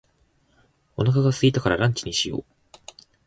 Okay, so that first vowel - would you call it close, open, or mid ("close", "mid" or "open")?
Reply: mid